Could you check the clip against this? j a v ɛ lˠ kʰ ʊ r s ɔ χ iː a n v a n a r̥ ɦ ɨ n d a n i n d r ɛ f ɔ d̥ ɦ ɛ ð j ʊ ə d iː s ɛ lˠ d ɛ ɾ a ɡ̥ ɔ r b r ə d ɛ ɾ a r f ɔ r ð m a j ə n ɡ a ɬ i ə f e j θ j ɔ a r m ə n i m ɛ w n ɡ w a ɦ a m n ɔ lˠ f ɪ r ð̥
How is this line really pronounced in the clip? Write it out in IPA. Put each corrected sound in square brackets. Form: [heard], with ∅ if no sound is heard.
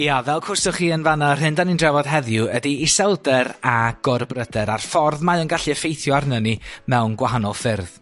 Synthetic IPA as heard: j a v ɛ lˠ kʰ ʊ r s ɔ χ iː [ə] n v a n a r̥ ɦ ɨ n d a n i n d r ɛ [v] ɔ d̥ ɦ ɛ ð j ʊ ə d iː s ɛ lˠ d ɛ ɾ a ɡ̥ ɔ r b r ə d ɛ ɾ a r f ɔ r ð m a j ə n ɡ a ɬ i ə f e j θ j ɔ a r [n] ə n i m ɛ w n ɡ w a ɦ a [∅] n ɔ lˠ f ɪ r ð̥

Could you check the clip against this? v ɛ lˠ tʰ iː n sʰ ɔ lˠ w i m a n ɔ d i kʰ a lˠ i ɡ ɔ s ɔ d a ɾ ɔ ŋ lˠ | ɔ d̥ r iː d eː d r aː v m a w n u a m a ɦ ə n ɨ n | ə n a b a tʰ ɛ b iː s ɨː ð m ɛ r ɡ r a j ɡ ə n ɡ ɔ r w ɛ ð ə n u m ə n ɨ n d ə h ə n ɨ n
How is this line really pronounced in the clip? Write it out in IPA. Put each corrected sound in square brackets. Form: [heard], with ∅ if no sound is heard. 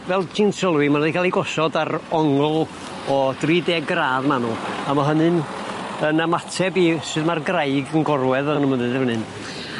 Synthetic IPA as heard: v ɛ lˠ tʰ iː n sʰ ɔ lˠ w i m a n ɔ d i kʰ a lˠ i ɡ ɔ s ɔ d a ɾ ɔ ŋ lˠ | ɔ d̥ r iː d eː [ɡ] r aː [ð] m a [∅] n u a m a ɦ ə n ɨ n | ə n a [m] a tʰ ɛ b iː s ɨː ð m [a] r ɡ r a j ɡ ə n ɡ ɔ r w ɛ ð ə n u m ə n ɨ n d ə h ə n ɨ n

